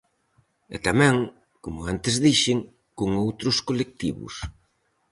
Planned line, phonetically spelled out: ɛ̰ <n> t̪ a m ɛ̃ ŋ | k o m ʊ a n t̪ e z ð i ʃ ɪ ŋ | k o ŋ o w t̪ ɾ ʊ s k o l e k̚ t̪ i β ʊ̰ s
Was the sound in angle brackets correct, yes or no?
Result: no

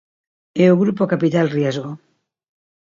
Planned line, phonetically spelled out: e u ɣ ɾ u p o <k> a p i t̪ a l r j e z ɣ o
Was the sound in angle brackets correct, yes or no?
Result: yes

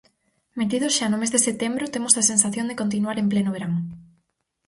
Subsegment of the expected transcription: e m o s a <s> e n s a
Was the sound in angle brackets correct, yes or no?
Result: yes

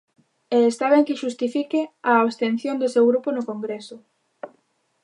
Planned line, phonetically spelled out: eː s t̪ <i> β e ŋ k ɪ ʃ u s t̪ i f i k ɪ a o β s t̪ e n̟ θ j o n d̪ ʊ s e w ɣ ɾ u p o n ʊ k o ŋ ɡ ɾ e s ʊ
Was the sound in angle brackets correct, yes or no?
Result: no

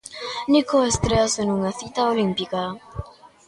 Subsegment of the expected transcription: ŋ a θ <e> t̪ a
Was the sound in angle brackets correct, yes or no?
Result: no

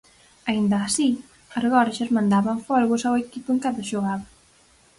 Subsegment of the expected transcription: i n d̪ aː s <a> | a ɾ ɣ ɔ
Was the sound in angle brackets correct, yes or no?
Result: no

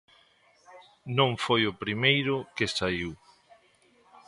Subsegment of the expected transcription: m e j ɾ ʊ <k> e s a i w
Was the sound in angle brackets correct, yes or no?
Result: yes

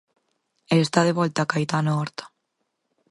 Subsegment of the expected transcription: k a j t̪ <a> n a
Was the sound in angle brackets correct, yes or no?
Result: yes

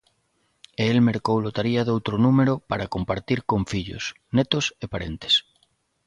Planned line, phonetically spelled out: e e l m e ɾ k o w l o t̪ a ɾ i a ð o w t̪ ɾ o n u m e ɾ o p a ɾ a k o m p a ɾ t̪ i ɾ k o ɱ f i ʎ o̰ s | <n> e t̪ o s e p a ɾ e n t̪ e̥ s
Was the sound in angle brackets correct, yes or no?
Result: yes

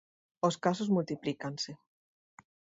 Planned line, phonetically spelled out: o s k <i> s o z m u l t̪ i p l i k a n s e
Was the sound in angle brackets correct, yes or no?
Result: no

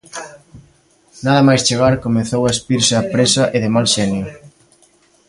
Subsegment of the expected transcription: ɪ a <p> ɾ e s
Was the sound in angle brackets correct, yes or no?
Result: yes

